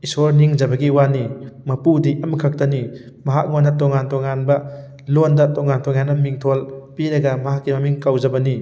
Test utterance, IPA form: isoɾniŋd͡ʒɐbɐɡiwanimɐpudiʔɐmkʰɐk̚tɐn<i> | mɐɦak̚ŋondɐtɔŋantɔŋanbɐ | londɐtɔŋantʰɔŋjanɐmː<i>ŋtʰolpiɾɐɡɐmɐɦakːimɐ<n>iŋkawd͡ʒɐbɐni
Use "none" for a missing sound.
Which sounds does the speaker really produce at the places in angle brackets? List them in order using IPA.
i, i, m

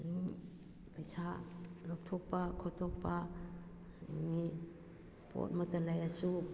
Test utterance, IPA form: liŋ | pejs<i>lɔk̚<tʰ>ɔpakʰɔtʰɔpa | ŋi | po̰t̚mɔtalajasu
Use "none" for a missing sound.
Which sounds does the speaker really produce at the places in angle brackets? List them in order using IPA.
a, tʰ

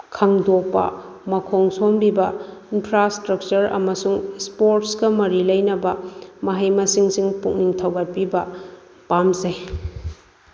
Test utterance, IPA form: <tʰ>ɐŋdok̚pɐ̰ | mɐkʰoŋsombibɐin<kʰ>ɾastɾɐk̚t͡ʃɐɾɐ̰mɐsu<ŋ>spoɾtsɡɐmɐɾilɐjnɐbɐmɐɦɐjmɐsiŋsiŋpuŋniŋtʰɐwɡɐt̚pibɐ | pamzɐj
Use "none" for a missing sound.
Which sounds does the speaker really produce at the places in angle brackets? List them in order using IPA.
kʰ, pʰ, ŋ

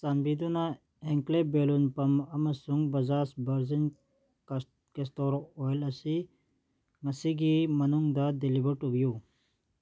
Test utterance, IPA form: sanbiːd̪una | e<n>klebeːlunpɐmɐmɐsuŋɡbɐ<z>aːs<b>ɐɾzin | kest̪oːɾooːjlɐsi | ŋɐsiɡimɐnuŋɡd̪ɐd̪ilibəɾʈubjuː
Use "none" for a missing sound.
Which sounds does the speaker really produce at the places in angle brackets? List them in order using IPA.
ŋ, z, b

